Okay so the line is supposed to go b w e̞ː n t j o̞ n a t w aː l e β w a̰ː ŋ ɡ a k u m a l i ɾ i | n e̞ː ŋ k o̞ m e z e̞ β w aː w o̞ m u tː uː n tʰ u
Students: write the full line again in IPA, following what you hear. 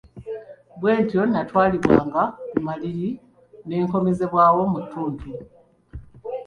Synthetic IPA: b w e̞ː n t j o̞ n a t w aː l i β w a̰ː ŋ ɡ a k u m a l i ɾ i | n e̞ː ŋ k o̞ m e z e̞ β w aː w o̞ m u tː uː n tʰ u